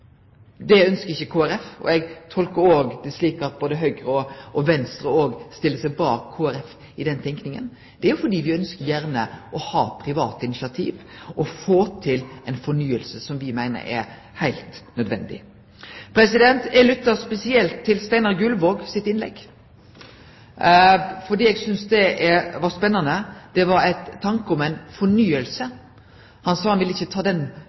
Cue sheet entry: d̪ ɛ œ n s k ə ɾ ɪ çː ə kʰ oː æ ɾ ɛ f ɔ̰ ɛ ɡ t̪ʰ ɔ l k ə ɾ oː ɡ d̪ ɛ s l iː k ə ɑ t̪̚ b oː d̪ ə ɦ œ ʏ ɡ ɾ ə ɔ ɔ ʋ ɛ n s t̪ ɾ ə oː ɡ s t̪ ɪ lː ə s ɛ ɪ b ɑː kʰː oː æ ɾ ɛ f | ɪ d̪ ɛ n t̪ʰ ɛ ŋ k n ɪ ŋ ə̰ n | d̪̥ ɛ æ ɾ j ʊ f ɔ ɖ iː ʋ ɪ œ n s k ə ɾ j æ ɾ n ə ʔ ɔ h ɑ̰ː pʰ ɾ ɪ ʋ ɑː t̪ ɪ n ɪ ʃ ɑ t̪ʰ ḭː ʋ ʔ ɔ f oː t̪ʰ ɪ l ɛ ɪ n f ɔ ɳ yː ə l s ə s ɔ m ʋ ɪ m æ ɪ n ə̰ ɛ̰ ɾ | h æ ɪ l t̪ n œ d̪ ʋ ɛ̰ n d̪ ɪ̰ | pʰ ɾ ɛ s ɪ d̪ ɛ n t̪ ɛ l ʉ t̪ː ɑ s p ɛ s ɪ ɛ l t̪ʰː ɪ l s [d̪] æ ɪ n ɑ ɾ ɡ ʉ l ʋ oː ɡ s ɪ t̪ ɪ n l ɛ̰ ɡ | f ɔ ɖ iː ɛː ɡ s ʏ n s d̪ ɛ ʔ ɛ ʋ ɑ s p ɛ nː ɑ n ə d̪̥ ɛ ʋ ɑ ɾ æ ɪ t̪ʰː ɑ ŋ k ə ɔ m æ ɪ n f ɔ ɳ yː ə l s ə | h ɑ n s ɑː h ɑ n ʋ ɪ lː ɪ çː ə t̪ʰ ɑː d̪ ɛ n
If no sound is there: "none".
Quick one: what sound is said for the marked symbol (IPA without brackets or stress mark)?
t̪